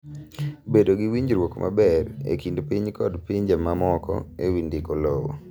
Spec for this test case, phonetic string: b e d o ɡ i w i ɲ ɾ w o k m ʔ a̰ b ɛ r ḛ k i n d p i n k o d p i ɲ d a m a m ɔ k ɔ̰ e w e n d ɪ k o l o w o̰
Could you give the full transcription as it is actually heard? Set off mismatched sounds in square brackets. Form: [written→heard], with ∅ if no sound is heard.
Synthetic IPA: b e d o ɡ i w i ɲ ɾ w o k m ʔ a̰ b ɛ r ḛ k i n d p i [n→ɲ] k [o→ɔ] d p i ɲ [d→d͡ʒ] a m a m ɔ k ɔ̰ e w [e→i] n d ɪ k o l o w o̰